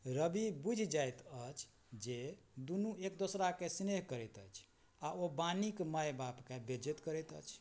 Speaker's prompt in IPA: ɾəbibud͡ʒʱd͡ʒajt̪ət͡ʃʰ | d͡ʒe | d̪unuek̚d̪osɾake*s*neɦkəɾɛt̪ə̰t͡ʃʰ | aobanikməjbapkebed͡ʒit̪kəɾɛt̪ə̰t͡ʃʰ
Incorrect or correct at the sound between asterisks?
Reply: correct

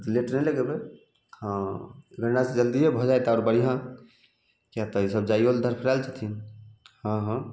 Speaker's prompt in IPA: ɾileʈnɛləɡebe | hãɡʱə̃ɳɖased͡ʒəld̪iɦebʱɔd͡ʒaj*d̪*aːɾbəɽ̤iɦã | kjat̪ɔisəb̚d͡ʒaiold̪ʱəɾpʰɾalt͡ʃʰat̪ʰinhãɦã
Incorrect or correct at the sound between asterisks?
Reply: incorrect: t̪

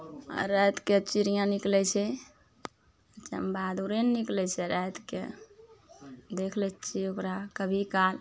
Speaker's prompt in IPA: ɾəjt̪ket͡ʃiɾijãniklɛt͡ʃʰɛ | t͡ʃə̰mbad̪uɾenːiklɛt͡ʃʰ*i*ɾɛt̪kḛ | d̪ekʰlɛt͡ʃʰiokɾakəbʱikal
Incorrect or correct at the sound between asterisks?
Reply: incorrect: ɛ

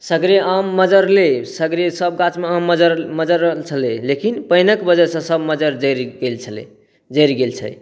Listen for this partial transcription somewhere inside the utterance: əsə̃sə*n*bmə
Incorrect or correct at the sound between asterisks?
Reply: incorrect: none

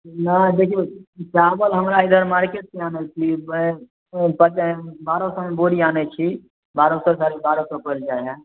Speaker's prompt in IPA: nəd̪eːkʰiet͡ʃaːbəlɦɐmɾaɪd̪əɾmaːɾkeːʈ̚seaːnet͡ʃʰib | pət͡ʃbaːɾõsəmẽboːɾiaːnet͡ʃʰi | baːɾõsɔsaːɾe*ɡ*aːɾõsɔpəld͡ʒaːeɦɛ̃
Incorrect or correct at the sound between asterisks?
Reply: incorrect: b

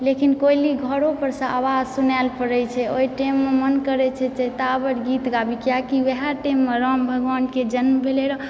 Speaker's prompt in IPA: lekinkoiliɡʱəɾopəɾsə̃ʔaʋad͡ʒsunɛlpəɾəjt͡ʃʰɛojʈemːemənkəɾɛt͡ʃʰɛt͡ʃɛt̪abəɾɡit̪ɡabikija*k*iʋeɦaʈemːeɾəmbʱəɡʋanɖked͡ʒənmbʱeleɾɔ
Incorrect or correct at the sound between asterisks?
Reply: correct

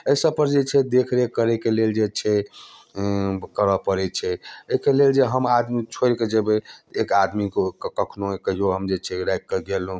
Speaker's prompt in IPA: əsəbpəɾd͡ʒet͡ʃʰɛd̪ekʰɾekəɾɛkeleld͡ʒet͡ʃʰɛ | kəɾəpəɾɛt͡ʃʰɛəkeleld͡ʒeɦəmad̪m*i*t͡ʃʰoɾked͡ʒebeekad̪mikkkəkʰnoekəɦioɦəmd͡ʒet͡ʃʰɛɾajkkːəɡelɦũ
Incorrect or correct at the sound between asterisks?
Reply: correct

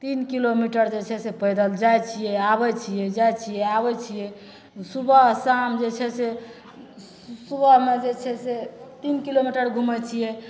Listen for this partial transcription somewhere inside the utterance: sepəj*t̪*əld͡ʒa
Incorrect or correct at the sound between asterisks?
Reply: incorrect: d̪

